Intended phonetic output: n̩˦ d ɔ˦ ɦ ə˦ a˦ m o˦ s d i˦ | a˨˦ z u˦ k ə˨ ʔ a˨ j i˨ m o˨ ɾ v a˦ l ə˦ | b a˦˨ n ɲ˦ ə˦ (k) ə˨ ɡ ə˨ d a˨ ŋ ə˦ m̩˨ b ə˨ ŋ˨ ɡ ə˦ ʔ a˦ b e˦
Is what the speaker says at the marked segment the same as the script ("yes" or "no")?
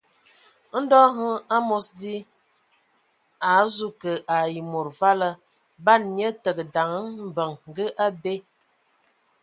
no